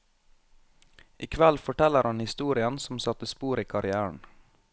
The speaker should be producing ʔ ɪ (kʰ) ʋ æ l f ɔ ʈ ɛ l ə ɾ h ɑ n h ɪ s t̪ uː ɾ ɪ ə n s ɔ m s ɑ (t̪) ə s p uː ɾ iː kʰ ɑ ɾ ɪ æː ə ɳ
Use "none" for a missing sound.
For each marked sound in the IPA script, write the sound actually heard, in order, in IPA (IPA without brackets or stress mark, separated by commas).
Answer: kʰ, t̪